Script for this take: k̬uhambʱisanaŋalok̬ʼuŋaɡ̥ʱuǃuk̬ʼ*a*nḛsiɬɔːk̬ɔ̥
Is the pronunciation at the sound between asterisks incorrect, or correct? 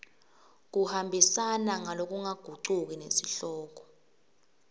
incorrect